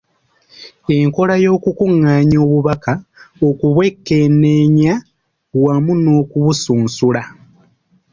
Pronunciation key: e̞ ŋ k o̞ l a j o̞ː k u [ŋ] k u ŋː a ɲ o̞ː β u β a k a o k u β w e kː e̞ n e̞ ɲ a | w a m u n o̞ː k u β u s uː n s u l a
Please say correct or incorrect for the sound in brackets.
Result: incorrect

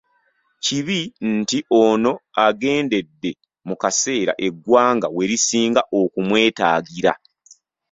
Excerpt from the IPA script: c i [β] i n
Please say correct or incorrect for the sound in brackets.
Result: correct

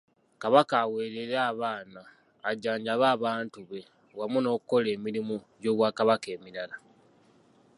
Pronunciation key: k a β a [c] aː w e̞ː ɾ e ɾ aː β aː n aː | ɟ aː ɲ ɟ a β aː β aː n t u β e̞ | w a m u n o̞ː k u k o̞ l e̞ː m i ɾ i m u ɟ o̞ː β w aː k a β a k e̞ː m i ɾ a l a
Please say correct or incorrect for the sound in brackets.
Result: incorrect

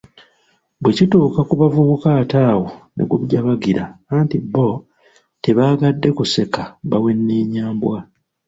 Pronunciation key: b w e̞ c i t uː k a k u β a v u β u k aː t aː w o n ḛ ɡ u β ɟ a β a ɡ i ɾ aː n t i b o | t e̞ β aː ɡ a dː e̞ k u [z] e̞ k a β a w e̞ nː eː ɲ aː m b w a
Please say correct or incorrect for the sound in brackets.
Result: incorrect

